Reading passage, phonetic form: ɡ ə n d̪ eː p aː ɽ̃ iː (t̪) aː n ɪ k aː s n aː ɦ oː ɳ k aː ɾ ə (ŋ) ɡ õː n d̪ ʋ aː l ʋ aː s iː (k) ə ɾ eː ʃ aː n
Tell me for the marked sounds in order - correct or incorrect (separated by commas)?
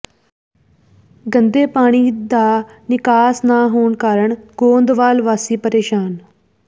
incorrect, incorrect, incorrect